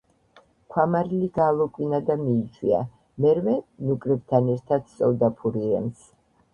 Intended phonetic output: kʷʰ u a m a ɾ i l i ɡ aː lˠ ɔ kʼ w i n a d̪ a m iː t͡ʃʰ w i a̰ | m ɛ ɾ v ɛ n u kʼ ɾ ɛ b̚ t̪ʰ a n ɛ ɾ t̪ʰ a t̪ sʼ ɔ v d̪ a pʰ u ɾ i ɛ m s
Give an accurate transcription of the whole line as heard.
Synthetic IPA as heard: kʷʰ w a m a ɾ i l i ɡ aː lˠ ɔ kʼ w i n a d̪ a m iː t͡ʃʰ w i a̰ | m ɛ ɾ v ɛ n u kʼ ɾ ɛ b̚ t̪ʰ a n ɛ ɾ t̪ʰ a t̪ sʼ ɔ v d̪ a pʰ u ɾ i ɛ m s